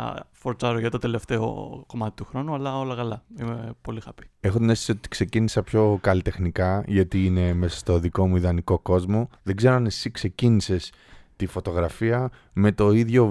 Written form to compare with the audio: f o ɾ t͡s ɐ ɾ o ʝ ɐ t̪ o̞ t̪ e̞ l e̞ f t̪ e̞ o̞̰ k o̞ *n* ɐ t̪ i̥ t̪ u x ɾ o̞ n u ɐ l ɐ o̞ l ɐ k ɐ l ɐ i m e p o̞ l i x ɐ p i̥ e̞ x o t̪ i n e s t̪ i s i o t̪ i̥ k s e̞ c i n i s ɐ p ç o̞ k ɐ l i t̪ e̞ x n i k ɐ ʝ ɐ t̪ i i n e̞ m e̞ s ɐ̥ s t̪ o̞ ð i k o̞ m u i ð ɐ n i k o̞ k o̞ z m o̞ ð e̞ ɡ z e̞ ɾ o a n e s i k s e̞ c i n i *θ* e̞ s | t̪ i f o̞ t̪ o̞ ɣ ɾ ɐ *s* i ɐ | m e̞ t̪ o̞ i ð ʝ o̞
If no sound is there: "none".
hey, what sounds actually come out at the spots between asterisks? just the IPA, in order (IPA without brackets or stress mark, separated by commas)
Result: m, s, f